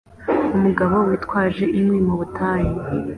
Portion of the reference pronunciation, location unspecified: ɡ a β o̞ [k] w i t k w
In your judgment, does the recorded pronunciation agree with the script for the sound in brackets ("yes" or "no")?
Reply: no